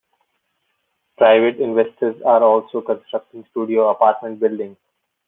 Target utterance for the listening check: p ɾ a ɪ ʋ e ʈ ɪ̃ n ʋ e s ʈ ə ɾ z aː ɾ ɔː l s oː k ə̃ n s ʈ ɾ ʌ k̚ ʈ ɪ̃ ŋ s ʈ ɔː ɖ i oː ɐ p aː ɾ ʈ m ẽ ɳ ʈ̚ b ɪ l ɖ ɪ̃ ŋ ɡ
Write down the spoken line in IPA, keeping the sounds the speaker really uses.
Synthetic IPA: p ɾ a ɪ ʋ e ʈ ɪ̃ n ʋ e s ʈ ə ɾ z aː ɾ ɔː l s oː k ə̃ n s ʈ ɾ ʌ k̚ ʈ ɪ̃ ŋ s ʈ uː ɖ i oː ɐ p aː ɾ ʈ m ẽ ɳ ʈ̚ b ɪ l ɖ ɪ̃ ŋ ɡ